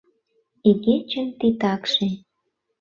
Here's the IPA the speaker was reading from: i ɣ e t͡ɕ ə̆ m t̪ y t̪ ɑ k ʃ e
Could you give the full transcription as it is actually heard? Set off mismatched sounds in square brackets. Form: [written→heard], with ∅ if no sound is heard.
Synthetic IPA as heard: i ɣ e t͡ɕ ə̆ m t̪ [y→i] t̪ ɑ k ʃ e